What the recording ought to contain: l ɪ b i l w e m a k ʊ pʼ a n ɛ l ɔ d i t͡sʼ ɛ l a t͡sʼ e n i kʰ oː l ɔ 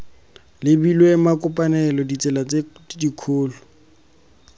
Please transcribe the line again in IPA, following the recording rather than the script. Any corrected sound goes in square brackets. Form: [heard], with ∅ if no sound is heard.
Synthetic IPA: l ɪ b i l w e m a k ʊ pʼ a n ɛ l ɔ d i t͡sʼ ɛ l a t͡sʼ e [d] i kʰ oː l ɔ